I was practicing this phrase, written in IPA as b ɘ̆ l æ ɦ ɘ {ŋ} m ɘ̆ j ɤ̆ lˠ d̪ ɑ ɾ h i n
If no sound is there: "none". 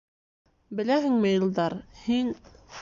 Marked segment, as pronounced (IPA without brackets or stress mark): ŋ